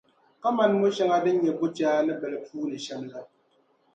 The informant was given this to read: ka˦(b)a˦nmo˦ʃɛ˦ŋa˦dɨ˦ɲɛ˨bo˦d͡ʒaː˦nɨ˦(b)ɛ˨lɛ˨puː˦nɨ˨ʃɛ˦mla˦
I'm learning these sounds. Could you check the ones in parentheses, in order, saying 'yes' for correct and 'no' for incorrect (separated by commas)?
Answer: no, yes